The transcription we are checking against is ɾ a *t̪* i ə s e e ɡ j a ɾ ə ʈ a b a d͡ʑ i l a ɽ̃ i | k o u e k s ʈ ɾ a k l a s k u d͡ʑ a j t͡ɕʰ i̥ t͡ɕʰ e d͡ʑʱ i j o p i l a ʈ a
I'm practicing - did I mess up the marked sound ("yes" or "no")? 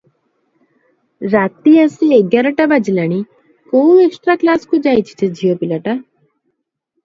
no